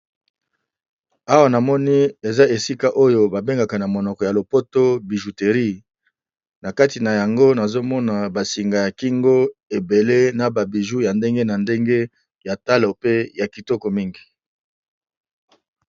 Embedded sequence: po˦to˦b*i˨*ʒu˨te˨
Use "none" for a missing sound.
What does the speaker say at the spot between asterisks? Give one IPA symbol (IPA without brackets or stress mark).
i˨